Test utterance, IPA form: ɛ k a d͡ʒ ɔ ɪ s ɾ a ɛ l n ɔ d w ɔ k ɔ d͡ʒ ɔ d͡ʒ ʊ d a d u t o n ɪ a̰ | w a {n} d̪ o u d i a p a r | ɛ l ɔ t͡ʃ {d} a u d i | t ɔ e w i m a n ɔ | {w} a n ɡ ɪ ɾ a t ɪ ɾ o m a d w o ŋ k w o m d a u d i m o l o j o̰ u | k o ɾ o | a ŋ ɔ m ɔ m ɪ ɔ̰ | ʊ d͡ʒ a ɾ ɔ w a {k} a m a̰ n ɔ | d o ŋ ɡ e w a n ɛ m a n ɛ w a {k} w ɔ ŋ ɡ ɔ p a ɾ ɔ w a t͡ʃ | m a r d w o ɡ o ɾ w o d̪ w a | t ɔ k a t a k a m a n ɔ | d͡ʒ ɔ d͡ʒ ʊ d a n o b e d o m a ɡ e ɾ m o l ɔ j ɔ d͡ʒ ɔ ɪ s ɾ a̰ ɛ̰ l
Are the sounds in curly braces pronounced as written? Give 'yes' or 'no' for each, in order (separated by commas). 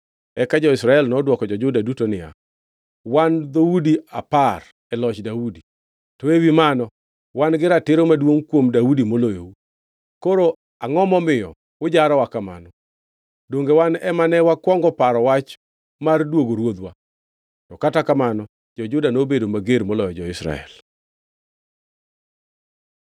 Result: yes, yes, yes, yes, yes